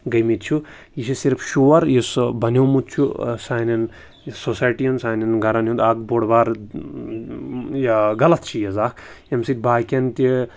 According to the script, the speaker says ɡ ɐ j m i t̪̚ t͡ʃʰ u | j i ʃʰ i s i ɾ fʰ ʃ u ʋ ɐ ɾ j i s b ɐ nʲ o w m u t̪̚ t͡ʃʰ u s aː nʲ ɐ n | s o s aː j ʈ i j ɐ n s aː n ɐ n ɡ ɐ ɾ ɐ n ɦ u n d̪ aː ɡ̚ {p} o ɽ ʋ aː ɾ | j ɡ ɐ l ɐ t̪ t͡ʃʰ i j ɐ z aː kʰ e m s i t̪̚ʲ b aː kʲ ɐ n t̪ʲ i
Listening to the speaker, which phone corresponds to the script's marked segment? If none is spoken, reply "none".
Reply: b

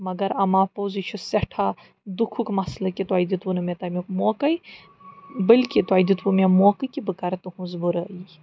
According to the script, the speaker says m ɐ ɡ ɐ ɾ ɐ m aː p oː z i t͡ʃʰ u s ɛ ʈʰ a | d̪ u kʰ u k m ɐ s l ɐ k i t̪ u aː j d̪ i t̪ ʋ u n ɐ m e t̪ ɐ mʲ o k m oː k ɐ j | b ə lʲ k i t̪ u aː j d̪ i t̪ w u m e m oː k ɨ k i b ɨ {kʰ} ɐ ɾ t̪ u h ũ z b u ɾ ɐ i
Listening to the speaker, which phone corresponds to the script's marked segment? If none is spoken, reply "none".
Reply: k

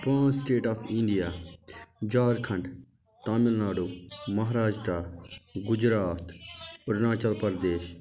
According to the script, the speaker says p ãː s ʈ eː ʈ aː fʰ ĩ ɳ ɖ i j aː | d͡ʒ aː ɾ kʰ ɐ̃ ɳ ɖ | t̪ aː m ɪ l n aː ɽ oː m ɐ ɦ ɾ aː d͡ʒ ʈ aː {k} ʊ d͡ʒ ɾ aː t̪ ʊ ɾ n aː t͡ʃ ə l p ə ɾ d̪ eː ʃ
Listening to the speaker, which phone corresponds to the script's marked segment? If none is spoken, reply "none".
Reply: ɡ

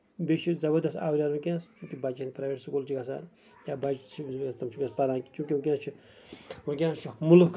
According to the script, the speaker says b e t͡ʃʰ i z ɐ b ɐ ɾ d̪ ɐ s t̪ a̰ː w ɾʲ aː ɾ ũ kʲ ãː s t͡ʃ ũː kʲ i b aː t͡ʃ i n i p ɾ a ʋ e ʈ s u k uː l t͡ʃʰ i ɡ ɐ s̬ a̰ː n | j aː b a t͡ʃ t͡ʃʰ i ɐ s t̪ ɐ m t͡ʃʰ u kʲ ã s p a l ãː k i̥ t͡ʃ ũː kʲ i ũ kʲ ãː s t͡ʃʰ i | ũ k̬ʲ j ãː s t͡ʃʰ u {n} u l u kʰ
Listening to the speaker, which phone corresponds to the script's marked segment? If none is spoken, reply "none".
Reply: m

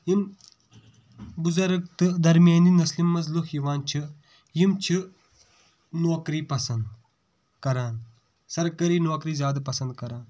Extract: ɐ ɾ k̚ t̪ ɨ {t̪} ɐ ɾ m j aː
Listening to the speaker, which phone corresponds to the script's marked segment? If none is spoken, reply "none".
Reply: d̪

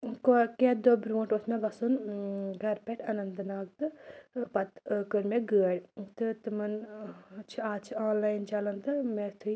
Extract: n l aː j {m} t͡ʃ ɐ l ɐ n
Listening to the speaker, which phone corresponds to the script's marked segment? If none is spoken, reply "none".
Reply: n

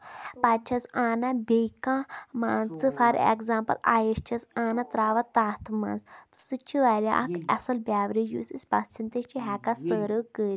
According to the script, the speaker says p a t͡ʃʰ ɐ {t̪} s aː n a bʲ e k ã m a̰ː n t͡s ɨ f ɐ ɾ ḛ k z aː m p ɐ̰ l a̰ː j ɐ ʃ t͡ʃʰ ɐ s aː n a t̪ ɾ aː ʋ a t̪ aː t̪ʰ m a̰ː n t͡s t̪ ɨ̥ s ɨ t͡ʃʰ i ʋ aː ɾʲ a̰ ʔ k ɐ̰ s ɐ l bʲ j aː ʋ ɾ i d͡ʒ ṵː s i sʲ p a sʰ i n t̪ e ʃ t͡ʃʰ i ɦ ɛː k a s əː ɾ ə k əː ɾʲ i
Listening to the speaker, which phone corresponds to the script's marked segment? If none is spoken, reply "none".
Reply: none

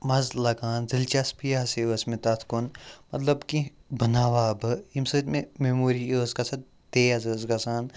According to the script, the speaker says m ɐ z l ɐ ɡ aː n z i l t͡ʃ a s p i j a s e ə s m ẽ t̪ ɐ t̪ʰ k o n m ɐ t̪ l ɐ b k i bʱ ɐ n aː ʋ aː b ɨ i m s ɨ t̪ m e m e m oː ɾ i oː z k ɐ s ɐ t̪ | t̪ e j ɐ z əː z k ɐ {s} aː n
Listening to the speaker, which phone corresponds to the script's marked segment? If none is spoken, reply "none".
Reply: s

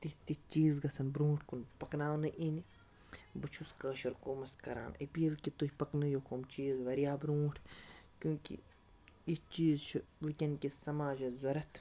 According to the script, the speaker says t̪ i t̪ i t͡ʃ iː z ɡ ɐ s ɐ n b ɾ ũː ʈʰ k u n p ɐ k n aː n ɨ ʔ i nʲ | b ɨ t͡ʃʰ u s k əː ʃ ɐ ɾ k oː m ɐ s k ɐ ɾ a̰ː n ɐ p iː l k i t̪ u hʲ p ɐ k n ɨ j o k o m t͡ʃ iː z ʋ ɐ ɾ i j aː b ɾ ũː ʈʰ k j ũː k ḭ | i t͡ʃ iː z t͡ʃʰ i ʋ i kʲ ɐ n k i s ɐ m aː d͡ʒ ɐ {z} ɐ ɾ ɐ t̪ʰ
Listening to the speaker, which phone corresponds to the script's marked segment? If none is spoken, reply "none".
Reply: z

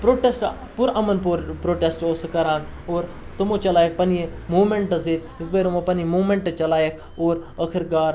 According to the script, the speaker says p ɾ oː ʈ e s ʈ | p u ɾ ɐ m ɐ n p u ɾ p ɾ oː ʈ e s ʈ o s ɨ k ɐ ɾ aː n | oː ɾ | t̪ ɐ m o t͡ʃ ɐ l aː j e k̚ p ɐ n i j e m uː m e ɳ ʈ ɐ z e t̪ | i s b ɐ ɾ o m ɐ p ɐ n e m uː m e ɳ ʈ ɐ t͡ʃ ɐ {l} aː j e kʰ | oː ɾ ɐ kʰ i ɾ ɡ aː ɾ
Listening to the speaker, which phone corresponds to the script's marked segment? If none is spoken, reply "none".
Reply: l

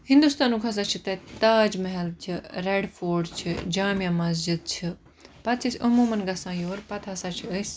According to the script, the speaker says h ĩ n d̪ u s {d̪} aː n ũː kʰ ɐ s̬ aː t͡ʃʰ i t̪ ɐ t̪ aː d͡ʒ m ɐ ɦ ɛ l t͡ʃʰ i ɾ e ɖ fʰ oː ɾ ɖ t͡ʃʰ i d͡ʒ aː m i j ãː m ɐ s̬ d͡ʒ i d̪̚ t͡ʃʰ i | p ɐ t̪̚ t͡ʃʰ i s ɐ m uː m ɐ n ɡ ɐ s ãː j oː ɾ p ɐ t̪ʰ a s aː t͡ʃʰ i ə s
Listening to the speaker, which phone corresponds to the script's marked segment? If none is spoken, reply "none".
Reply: t̪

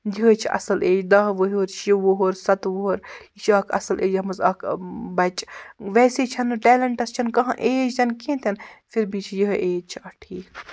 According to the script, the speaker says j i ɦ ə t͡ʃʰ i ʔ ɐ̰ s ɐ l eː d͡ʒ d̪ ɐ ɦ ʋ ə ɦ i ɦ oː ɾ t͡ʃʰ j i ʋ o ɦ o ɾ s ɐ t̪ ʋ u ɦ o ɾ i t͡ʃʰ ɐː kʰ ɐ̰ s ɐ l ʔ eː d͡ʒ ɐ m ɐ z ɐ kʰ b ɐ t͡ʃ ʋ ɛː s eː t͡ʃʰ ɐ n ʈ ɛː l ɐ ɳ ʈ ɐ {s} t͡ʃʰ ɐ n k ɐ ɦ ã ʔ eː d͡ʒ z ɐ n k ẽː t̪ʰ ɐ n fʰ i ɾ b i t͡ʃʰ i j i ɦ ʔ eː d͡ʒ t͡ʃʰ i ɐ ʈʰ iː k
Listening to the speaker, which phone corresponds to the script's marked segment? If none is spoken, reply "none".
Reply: s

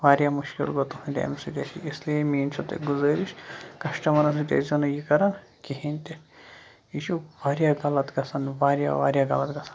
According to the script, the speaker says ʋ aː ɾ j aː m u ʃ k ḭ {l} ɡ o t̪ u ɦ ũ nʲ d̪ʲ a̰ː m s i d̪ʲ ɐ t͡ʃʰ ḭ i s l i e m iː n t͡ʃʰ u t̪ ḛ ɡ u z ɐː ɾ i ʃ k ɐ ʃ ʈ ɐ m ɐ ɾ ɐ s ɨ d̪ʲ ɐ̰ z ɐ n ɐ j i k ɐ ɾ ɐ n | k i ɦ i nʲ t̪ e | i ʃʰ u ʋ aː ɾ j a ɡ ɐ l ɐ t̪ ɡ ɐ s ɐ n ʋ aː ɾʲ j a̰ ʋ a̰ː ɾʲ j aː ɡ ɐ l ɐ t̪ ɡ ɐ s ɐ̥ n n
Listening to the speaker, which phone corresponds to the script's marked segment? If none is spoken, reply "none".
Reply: l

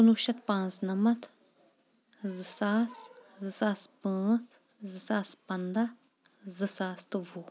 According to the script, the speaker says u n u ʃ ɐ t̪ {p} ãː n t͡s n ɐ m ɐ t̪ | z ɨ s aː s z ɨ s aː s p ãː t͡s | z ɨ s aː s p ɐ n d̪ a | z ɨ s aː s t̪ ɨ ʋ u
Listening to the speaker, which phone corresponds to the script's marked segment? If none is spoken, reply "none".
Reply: p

